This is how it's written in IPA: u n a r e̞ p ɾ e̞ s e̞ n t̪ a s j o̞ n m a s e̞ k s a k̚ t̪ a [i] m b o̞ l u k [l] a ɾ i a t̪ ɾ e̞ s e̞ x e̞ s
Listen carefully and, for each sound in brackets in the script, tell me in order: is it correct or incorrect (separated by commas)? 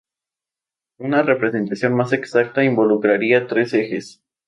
correct, incorrect